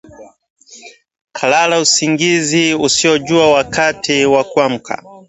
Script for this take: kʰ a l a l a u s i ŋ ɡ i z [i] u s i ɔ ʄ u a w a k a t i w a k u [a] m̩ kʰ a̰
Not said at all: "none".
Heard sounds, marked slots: i, a

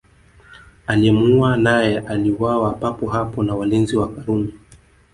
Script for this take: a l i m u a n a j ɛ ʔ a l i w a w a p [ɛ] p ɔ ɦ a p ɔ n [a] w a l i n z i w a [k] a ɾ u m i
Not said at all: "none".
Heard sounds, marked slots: a, a, k

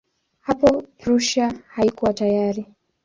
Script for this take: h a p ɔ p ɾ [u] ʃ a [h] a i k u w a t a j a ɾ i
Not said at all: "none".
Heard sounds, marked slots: u, h

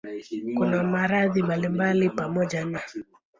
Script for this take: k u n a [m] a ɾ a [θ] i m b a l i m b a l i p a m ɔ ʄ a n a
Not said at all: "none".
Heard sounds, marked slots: m, ð

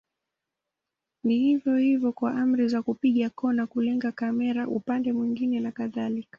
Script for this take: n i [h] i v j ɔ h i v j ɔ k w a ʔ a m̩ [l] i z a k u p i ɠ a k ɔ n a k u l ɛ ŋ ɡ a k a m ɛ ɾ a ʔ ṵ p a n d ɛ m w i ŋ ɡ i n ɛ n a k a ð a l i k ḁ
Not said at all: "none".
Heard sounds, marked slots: h, ɾ

